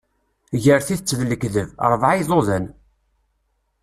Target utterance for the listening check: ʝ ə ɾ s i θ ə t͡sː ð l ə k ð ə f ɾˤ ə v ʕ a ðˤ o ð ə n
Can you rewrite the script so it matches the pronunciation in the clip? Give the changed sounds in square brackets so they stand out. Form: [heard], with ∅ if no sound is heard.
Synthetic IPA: ʝ ə ɾ [θ] i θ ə t͡sː ð l ə k ð ə [v] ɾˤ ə v ʕ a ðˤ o ð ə n